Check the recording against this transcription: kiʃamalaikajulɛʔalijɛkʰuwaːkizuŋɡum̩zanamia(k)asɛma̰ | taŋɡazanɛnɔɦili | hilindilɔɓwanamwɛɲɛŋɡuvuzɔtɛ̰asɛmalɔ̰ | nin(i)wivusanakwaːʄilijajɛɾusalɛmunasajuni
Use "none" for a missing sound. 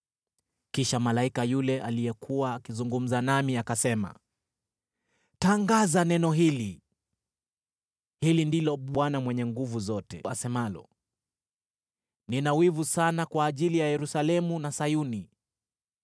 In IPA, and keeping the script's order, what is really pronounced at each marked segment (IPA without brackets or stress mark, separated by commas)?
k, a